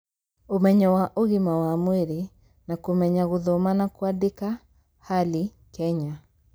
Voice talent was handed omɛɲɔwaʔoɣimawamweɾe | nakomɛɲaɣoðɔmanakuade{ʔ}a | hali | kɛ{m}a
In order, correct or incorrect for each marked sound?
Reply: incorrect, incorrect

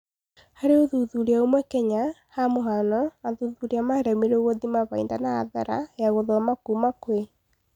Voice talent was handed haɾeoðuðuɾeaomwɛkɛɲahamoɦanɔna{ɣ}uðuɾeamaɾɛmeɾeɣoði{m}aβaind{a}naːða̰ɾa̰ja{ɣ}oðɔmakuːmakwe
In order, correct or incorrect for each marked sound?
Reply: incorrect, correct, correct, correct

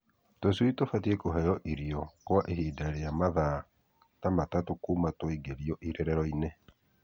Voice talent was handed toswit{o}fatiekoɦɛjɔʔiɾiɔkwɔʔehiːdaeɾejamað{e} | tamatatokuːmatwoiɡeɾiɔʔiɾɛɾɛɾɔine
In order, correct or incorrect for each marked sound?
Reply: correct, incorrect

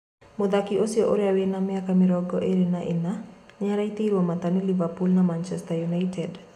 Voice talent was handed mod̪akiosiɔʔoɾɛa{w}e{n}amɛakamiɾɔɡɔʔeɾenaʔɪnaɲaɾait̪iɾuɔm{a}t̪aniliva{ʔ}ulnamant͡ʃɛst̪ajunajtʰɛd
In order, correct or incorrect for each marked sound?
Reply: correct, correct, correct, incorrect

